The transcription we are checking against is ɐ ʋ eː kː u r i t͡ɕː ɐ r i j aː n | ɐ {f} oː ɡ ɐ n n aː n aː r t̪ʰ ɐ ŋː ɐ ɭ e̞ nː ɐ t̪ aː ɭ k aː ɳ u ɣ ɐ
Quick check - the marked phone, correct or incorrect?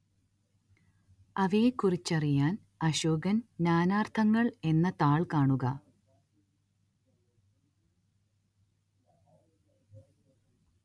incorrect